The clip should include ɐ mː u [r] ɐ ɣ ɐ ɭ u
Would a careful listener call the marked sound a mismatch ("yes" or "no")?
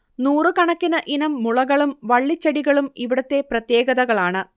yes